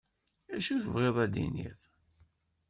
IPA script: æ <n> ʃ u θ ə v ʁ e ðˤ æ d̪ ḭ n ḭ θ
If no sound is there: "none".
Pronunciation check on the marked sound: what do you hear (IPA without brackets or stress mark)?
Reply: none